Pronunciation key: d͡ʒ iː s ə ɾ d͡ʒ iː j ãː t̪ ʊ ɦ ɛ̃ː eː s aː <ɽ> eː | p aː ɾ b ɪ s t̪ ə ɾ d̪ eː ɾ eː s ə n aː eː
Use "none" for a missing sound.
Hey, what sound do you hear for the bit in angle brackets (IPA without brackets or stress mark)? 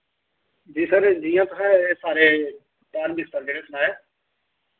ɾ